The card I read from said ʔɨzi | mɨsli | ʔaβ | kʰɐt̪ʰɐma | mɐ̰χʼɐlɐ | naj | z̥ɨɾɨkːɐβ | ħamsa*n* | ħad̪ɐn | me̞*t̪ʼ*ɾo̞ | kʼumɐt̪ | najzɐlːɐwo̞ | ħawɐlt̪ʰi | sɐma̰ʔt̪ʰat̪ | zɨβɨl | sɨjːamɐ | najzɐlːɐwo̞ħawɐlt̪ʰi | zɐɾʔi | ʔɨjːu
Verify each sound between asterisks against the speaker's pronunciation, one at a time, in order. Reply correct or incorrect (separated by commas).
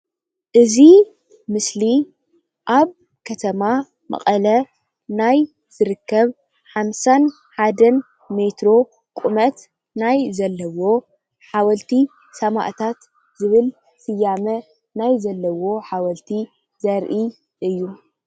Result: correct, incorrect